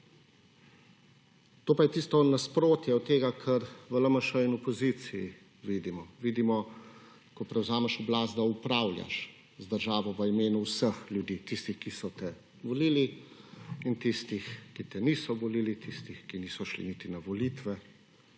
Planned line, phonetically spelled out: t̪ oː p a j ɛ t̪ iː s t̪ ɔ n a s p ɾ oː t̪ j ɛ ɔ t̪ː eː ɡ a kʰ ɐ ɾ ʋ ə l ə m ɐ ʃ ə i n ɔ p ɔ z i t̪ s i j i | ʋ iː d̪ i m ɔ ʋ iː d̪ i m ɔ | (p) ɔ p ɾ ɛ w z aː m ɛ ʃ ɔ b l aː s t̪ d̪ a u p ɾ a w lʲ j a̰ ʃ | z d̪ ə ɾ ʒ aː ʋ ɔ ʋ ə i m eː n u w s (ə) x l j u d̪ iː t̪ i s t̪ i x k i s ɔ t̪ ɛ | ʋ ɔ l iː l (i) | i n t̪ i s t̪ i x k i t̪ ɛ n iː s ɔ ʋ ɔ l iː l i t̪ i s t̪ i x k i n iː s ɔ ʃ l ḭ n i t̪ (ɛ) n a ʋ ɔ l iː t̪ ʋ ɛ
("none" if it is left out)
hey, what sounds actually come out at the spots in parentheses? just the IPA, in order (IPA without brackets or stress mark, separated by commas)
k, ə, i, i